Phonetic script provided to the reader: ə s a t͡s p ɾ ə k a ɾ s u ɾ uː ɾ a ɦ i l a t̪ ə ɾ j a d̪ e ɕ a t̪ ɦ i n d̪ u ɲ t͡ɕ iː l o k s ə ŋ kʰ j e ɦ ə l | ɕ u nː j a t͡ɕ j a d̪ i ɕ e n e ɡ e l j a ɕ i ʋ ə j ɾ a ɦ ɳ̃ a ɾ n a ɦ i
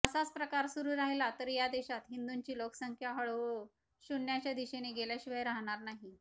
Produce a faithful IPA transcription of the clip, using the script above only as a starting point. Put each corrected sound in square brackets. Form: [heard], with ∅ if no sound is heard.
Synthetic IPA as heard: ə s a t͡s p ɾ ə k a ɾ s u ɾ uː ɾ a ɦ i l a t̪ ə ɾ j a d̪ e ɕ a t̪ ɦ i n d̪ u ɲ t͡ɕ iː l o k s ə ŋ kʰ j [a] ɦ ə [ɭ] | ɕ u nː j a t͡ɕ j a d̪ i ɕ e n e ɡ e l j a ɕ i ʋ ə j ɾ a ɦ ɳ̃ a ɾ n a ɦ i